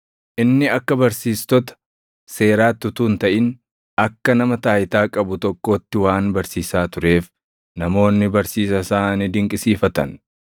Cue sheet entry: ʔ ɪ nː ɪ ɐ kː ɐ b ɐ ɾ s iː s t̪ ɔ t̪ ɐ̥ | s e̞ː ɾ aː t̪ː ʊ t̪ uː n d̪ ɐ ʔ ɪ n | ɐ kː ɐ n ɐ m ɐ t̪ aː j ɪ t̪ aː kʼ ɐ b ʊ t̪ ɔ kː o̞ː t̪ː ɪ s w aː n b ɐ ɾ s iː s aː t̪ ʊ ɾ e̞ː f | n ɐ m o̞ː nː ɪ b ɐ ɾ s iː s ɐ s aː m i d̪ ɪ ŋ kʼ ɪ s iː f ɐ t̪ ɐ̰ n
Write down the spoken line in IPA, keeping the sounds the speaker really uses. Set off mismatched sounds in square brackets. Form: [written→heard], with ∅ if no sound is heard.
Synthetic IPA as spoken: ʔ ɪ nː ɪ ɐ kː ɐ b ɐ ɾ s iː s t̪ ɔ t̪ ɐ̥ | s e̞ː ɾ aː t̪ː ʊ t̪ uː n [d̪→t̪] ɐ ʔ ɪ n | ɐ kː ɐ n ɐ m ɐ t̪ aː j ɪ t̪ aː kʼ ɐ b ʊ t̪ ɔ kː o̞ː t̪ː ɪ [s→∅] w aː n b ɐ ɾ s iː s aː t̪ ʊ ɾ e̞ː f | n ɐ m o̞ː nː ɪ b ɐ ɾ s iː s ɐ s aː [m→n] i d̪ ɪ ŋ kʼ ɪ s iː f ɐ t̪ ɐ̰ n